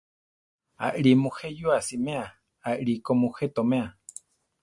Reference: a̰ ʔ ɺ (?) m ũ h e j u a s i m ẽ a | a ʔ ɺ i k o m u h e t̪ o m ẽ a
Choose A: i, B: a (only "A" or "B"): A